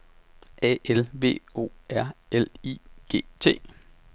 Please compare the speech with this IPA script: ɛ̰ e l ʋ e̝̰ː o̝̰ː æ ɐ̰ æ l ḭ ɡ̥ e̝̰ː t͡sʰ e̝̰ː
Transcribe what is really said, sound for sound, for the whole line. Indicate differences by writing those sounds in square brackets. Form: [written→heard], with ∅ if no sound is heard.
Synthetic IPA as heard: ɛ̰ e l ʋ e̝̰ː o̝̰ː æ ɐ̰ [æ→e] l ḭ ɡ̥ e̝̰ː t͡sʰ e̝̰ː